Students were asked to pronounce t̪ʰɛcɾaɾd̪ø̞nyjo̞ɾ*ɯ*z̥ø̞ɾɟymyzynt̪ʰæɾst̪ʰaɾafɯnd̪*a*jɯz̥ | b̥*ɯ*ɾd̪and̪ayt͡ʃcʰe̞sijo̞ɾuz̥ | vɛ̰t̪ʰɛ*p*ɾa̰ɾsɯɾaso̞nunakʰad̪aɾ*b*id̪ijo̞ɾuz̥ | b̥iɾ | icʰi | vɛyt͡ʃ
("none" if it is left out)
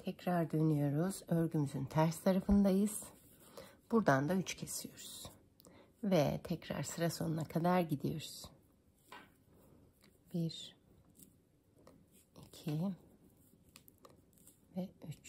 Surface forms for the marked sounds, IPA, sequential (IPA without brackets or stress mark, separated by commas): u, a, u, c, ɟ